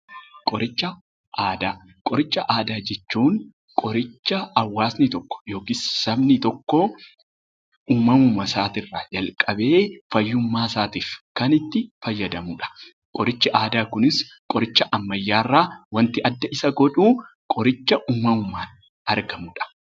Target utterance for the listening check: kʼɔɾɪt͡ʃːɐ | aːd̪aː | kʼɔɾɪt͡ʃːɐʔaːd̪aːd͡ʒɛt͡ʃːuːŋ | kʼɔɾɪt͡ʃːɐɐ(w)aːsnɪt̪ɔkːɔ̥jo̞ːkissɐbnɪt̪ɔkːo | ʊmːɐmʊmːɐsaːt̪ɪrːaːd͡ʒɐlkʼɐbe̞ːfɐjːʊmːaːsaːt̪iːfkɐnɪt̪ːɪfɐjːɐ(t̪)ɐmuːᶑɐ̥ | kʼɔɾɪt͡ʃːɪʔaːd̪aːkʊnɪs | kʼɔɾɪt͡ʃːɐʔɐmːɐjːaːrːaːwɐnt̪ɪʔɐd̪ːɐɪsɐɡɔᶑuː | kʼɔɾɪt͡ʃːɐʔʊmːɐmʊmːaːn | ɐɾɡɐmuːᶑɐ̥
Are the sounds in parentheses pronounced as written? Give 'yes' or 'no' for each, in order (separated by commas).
no, no